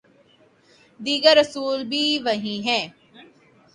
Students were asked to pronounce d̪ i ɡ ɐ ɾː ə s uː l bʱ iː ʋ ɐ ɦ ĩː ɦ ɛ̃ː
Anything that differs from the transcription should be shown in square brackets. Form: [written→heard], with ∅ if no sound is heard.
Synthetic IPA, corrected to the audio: d̪ [i→iː] ɡ [ɐ→ə] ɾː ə s uː l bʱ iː ʋ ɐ ɦ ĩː ɦ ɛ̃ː